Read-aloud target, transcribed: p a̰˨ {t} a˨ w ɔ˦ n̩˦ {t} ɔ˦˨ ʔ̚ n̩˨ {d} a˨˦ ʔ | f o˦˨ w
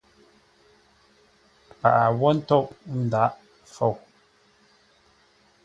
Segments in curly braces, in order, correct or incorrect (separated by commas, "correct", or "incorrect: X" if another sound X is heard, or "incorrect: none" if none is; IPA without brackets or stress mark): incorrect: ʔ, correct, correct